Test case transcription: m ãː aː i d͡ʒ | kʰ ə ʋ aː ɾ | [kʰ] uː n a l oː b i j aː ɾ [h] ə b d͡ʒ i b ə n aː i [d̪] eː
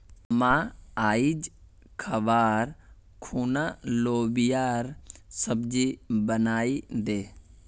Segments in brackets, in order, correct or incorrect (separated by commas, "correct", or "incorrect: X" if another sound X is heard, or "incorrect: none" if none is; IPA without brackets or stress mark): correct, incorrect: s, correct